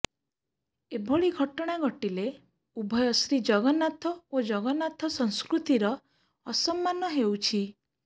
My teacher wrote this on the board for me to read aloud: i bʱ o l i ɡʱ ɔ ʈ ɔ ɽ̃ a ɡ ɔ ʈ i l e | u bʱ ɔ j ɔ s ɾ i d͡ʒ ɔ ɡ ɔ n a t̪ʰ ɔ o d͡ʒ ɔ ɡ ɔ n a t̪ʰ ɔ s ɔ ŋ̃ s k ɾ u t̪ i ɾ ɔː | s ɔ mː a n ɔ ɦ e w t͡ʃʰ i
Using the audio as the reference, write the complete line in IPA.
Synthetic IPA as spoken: e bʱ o ɭ i ɡʱ ɔ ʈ ɔ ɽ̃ a ɡ ɔ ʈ i l e | u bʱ ɔ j ɔ s ɾ i d͡ʒ ɔ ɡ ɔ n a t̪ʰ ɔ o d͡ʒ ɔ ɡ ɔ n a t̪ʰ ɔ s ɔ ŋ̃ s k ɾ u t̪ i ɾ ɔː | s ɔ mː a n ɔ ɦ e w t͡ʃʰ i